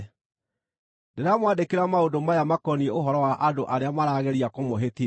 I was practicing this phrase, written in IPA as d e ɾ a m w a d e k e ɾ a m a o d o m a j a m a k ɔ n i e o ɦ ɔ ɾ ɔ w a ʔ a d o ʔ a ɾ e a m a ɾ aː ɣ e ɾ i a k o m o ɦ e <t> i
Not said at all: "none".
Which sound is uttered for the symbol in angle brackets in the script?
t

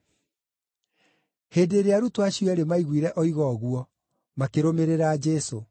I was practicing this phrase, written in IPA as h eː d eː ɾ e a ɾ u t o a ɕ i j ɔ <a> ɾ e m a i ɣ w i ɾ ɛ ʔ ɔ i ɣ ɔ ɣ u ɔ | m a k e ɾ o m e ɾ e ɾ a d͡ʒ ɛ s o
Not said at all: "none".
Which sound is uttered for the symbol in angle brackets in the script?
ɛ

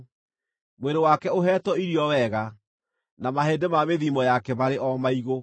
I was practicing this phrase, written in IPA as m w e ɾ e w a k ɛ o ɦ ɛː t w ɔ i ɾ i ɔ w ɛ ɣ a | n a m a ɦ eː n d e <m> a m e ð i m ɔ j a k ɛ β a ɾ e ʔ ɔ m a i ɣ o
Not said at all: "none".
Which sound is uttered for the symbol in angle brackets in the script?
m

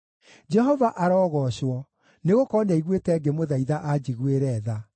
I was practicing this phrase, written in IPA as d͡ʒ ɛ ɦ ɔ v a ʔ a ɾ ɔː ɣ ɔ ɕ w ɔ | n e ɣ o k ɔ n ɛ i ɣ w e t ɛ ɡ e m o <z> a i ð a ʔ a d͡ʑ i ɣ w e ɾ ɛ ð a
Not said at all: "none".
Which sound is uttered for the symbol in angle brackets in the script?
ð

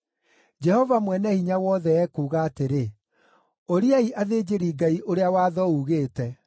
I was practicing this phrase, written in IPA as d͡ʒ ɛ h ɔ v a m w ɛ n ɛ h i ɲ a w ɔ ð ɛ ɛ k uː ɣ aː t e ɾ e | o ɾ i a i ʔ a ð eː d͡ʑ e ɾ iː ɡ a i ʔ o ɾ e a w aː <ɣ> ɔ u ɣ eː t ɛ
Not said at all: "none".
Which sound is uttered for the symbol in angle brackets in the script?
ð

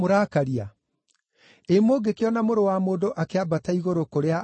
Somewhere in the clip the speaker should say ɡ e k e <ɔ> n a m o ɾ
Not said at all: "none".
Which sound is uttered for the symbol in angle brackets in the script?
ɔ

